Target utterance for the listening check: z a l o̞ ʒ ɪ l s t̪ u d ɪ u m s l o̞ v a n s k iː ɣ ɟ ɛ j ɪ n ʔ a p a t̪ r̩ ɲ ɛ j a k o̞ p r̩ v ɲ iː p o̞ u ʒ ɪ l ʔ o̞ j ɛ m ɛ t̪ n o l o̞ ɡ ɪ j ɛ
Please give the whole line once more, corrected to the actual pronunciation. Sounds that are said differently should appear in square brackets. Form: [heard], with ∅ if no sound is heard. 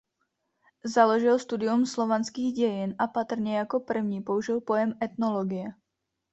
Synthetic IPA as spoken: z a l o̞ ʒ ɪ l s t̪ u d ɪ u m s l o̞ v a n s k iː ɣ ɟ ɛ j ɪ n ʔ a p a t̪ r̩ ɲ ɛ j a k o̞ p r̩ v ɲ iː p o̞ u ʒ ɪ l [p] o̞ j ɛ m ɛ t̪ n o l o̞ ɡ ɪ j ɛ